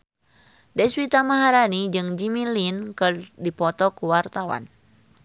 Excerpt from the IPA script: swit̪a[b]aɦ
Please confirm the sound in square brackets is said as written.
no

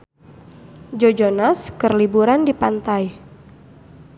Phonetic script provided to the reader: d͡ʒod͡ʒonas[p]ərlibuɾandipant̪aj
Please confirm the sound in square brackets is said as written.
no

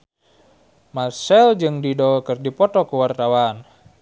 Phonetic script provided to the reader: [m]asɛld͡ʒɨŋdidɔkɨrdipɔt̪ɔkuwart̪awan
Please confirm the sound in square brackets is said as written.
yes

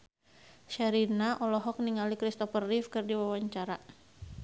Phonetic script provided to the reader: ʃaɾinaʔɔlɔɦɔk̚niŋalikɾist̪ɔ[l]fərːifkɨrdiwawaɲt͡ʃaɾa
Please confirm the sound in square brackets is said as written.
no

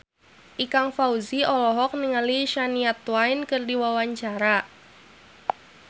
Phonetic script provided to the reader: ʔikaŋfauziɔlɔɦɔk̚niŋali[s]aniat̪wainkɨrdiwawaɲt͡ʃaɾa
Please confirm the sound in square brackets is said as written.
no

